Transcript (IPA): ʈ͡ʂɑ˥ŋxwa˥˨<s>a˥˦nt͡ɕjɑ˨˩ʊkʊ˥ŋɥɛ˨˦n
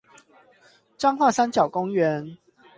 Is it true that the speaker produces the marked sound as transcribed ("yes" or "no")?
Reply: yes